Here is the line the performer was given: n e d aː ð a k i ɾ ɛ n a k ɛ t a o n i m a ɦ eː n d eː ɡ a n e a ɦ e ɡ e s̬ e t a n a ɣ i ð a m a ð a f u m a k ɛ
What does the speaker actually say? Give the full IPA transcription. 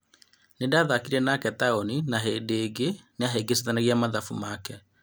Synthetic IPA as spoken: n e d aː ð a k i ɾ ɛ n a k ɛ t a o n i n a ɦ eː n d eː ɡ e n e a ɦ e ɡ e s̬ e t a n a ɣ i a m a ð a f u m a k ɛ